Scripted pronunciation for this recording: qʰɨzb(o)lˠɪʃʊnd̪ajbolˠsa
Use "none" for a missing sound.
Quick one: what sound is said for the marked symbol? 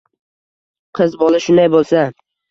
ɒ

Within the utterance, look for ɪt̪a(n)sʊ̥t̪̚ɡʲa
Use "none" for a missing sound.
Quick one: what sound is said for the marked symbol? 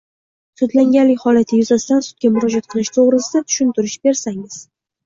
n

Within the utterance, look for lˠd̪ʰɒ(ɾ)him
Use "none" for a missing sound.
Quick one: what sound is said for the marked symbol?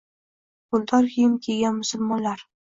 ɾ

